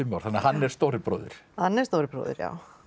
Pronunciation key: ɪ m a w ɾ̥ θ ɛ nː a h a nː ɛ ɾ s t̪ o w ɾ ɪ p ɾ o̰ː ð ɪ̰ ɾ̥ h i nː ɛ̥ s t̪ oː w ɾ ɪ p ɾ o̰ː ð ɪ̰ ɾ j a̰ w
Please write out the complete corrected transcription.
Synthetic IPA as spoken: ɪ m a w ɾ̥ θ a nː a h a nː ɛ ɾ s t̪ o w ɾ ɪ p ɾ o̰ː ð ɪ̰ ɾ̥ h a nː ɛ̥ s t̪ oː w ɾ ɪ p ɾ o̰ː ð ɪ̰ ɾ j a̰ w

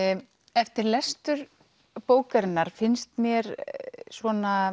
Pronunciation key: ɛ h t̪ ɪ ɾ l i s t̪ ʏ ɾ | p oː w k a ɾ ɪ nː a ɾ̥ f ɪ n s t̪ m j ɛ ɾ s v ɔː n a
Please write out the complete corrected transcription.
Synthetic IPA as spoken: ɛ f t̪ ɪ ɾ l ɛ s t̪ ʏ ɾ | p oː w k a ɾ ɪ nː a ɾ̥ f ɪ n s t̪ m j ɛ ɾ s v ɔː n a

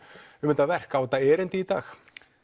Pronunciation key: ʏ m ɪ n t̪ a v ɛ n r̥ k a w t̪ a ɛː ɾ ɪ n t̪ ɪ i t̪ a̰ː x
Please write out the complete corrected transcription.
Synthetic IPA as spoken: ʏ m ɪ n t̪ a v ɛ r̥ k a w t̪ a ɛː ɾ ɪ n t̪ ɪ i t̪ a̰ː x

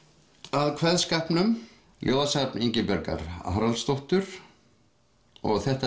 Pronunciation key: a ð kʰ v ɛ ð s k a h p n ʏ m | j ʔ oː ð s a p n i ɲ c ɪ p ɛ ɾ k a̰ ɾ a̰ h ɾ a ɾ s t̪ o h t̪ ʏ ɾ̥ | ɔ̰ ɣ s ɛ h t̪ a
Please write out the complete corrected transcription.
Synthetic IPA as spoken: a ð kʰ v ɛ ð s k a h p n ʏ m | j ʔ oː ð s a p n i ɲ c ɪ p ɛ ɾ k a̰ ɾ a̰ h ɾ a l s t̪ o h t̪ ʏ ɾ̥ | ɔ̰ ɣ θ ɛ h t̪ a

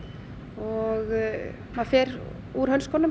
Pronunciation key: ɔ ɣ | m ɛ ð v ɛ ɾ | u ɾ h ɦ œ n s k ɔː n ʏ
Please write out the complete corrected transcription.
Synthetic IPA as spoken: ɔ ɣ | m a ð f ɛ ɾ | u ɾ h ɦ œ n s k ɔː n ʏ

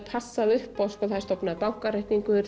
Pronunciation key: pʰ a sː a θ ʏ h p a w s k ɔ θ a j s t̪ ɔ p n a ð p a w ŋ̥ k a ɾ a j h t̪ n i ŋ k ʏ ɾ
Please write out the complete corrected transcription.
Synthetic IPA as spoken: pʰ a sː a ð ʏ h p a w s k ɔ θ a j s t̪ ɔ p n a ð p a w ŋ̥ k a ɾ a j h t̪ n i ŋ k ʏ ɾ

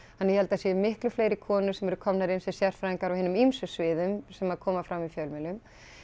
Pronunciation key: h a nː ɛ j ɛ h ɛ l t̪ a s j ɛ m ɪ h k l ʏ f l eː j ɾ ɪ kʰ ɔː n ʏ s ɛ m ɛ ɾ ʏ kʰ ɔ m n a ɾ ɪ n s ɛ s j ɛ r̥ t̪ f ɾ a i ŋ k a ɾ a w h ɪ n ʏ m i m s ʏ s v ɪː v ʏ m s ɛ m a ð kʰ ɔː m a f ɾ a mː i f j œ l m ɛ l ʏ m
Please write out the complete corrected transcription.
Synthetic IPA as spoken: h a nː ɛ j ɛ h ɛ l t̪ a s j ɛ m ɪ h k l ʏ f l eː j ɾ ɪ kʰ ɔː n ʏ s ɛ m ɛ ɾ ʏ kʰ ɔ m n a ɾ ɪ n s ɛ s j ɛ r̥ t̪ f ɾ a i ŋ k a ɾ a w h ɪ n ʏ m i m s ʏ s v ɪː ð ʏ m s ɛ m a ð kʰ ɔː m a f ɾ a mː i f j œ l m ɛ l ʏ m

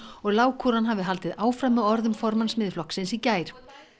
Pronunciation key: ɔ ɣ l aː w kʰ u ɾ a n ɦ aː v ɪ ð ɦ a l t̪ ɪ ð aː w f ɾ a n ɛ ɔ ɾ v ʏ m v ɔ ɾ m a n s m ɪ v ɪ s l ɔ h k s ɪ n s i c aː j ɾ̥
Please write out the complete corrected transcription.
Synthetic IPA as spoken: ɔ ɣ l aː w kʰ u ɾ a n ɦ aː v ɪ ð ɦ a l t̪ ɪ ð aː w f ɾ a m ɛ ɔ ɾ ð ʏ m f ɔ ɾ m a n s m ɪ ð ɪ f l ɔ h k s ɪ n s i c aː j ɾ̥

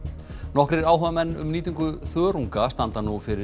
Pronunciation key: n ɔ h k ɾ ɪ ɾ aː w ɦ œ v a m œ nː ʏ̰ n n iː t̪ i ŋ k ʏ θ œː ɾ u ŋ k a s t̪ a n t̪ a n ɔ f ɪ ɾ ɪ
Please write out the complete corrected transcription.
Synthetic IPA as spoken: n ɔ h k ɾ ɪ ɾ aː w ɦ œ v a m ɛ nː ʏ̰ m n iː t̪ i ŋ k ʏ θ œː ɾ u ŋ k a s t̪ a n t̪ a n u f ɪ ɾ ɪ

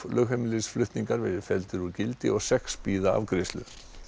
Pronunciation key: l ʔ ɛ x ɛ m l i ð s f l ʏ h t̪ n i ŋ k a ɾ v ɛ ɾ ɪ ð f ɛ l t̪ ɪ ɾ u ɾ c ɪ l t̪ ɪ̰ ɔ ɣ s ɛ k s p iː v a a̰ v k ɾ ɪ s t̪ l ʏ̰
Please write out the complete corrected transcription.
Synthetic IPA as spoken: l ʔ œ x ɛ m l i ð s f l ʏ h t̪ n i ŋ k a ɾ v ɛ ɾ ɪ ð f ɛ l t̪ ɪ ɾ u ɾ c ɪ l t̪ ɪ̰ ɔ ɣ s ɛ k s p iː ð a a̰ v k ɾ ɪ s t̪ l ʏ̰

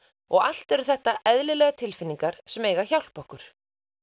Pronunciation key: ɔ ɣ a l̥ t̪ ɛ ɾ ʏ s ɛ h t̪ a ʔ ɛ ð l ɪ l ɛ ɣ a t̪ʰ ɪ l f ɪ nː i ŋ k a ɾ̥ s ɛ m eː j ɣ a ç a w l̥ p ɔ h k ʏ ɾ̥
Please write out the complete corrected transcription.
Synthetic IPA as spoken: ɔ ɣ a l̥ t̪ ɛ ɾ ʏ θ ɛ h t̪ a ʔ ɛ ð l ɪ l ɛ ɣ a t̪ʰ ɪ l f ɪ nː i ŋ k a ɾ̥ s ɛ m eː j ɣ a ç a w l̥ p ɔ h k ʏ ɾ̥

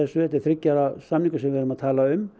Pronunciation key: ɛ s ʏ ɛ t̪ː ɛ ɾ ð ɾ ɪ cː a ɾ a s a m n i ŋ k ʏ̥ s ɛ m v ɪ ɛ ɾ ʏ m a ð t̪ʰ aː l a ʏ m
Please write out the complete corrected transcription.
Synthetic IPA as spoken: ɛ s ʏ ɛ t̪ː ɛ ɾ θ ɾ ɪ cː a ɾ a s a m n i ŋ k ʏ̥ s ɛ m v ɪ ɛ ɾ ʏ m a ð t̪ʰ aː l a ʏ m

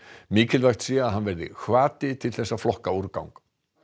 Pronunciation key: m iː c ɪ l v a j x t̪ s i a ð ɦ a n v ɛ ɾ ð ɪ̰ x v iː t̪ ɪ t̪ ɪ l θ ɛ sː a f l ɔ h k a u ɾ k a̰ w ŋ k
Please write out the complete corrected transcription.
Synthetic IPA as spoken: m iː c ɪ l v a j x t̪ s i a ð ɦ a n v ɛ ɾ ð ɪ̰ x v aː t̪ ɪ t̪ʰ ɪ l θ ɛ sː a f l ɔ h k a u ɾ k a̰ w ŋ k

